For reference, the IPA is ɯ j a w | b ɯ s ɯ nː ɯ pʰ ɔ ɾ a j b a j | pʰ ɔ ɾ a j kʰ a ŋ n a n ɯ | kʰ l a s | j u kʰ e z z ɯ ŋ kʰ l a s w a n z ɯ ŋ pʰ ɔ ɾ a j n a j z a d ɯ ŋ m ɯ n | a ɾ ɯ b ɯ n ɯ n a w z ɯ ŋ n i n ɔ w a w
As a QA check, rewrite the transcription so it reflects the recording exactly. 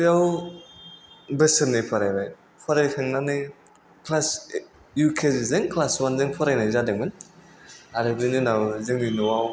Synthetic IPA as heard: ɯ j a w | b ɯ s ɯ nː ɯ pʰ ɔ ɾ a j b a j | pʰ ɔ ɾ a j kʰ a ŋ n a n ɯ | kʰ l a s | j u kʰ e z z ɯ ŋ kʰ l a s w a n z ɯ ŋ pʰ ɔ ɾ a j n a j z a d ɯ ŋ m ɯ n | a ɾ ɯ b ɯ n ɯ n a w z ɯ ŋ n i n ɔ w a w